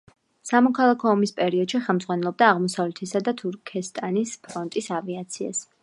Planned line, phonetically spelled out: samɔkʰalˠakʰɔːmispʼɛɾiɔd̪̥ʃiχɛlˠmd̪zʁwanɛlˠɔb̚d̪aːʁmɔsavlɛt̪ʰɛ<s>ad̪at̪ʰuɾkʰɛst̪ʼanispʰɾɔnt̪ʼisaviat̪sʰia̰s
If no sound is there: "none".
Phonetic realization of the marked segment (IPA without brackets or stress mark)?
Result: s